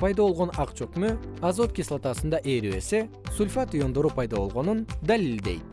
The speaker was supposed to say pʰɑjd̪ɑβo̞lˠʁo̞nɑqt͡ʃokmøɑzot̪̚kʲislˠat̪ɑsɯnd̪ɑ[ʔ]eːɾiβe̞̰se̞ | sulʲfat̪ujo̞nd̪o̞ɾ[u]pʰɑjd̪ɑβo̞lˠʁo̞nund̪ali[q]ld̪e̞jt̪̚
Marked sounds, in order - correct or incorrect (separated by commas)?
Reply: correct, correct, incorrect